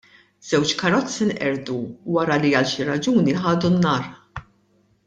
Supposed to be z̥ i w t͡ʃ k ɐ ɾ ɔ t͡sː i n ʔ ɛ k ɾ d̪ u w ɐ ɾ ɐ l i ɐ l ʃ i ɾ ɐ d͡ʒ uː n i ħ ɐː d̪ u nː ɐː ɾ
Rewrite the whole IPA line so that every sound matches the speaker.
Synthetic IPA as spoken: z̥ ɛ w t͡ʃ k ɐ ɾ ɔ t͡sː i n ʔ ɛ ɾ d̪ u w ɐ ɾ ɐ l i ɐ l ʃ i ɾ ɐ d͡ʒ uː n i ħ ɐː d̪ u nː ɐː ɾ